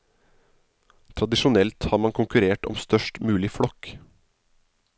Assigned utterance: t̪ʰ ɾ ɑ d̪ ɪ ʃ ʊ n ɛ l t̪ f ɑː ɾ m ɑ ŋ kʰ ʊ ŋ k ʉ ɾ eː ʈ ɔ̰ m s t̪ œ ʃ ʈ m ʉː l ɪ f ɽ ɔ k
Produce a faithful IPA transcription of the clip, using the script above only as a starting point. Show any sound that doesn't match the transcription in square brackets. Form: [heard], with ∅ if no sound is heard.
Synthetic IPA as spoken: t̪ʰ ɾ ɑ d̪ ɪ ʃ ʊ n ɛ l t̪ [h] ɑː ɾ m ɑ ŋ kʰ ʊ ŋ k ʉ ɾ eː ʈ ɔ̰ m s t̪ œ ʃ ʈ m ʉː l ɪ f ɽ ɔ k